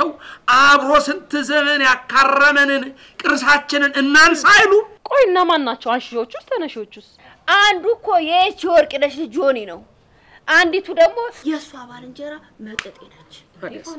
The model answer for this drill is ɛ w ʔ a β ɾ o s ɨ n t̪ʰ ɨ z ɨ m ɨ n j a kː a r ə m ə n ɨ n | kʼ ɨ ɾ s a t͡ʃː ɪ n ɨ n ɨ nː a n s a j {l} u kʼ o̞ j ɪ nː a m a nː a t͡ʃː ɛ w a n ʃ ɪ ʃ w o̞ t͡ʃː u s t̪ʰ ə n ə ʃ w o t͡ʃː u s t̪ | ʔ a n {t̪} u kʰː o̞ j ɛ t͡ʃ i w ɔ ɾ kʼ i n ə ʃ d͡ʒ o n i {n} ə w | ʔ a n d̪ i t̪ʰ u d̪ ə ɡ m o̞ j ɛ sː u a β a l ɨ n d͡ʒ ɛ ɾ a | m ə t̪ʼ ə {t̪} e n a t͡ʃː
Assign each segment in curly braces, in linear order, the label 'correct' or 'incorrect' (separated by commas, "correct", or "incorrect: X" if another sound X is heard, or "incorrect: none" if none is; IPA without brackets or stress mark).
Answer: correct, incorrect: d̪, correct, incorrect: t̪ʼ